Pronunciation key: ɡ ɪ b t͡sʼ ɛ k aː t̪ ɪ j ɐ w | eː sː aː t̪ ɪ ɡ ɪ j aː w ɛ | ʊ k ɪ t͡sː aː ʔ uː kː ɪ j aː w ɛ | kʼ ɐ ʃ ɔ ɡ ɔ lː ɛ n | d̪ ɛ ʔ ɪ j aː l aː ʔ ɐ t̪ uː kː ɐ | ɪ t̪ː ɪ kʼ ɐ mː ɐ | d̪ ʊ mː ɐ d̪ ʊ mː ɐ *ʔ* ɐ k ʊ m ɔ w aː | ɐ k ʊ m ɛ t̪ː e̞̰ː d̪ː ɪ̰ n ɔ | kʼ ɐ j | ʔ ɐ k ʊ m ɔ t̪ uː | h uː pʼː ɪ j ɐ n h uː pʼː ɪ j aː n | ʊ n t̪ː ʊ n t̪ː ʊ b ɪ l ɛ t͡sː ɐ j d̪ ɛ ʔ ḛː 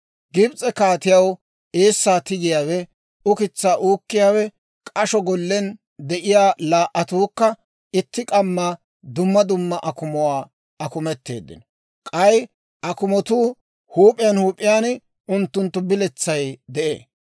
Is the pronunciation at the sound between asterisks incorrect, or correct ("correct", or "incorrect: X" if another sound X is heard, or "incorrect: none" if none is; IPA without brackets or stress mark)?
correct